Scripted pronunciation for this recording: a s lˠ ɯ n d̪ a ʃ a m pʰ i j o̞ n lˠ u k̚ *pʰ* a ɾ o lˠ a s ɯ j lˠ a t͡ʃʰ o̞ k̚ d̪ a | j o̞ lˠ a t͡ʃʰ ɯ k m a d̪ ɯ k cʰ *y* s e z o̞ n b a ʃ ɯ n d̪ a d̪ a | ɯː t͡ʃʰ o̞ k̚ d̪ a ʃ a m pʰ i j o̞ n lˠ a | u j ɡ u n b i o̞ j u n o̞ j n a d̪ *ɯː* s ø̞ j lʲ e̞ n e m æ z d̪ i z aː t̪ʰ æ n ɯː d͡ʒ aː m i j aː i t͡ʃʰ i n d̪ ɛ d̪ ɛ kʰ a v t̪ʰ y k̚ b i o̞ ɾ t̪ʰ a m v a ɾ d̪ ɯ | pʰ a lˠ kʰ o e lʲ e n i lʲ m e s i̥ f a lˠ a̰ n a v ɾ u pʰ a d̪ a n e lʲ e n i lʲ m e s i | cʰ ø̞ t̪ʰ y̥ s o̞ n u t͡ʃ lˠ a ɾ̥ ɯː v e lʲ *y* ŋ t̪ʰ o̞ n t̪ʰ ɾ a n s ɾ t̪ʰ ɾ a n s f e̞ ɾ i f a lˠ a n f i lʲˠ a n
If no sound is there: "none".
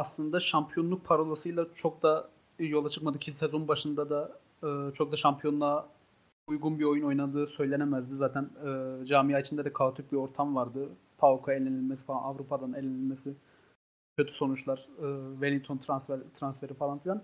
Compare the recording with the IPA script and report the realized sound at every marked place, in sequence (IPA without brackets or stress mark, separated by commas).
pʰ, i, ɯː, i